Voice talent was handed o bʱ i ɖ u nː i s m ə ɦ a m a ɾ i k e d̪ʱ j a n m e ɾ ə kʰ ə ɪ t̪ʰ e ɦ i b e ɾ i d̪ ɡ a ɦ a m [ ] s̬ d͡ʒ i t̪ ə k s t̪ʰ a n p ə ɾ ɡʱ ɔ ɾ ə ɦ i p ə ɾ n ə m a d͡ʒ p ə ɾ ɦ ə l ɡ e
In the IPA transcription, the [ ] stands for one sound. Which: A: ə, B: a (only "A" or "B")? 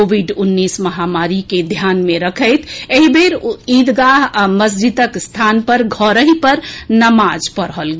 A